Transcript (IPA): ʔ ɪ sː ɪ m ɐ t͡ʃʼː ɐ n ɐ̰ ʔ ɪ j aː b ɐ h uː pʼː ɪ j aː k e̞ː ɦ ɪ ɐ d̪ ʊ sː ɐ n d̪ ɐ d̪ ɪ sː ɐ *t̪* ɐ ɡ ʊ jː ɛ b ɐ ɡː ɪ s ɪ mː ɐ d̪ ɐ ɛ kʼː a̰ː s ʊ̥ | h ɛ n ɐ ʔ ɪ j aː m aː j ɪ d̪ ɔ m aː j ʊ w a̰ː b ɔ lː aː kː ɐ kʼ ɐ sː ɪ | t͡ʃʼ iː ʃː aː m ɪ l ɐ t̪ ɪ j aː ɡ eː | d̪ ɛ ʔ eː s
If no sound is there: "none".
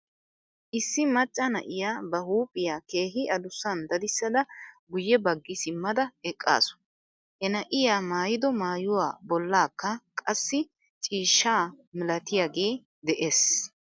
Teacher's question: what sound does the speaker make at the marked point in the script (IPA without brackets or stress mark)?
d̪